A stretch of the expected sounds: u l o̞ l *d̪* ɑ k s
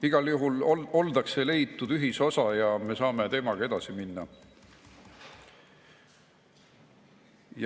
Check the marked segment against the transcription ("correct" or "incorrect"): correct